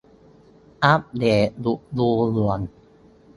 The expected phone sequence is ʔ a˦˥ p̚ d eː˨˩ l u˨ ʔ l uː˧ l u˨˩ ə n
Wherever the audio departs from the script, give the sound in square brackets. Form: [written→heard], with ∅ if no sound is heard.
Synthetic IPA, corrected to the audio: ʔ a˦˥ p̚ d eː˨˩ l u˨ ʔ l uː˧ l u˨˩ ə n